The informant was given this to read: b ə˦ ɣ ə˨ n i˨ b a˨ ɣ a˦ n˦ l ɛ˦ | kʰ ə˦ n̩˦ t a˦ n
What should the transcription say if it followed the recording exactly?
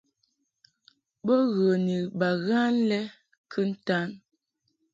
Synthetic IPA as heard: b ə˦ ɣ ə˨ n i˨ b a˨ ɣ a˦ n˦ l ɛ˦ | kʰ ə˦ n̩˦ t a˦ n